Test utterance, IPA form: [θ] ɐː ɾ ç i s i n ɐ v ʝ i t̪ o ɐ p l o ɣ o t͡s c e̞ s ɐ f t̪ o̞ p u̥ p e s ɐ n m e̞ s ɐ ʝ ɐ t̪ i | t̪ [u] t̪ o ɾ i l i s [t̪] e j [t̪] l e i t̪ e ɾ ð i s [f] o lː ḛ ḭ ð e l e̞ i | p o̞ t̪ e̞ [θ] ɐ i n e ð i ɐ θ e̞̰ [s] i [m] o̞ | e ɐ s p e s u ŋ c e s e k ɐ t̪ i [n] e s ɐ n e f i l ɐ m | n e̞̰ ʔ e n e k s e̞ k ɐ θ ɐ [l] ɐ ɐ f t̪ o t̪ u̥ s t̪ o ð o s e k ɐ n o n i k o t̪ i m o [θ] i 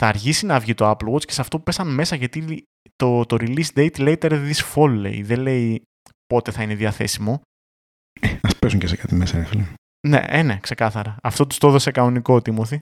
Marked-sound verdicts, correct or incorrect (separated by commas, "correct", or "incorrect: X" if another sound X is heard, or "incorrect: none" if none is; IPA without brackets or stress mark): correct, incorrect: o, incorrect: d̪, correct, correct, correct, correct, correct, incorrect: m, incorrect: ɾ, correct